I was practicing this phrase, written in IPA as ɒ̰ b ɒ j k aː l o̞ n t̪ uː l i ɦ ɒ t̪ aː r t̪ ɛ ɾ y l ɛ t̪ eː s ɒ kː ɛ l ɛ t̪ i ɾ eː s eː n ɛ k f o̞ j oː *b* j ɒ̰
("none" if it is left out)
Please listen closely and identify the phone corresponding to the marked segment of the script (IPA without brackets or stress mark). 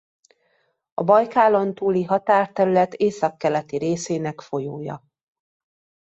none